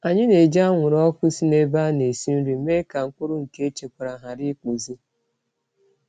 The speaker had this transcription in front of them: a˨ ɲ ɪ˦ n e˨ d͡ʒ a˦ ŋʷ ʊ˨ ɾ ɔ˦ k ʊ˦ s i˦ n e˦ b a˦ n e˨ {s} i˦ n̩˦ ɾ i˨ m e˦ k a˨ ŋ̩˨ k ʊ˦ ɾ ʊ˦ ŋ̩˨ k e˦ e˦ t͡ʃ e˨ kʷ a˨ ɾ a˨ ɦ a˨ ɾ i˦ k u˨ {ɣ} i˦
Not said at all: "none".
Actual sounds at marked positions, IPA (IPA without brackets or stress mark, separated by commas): s, z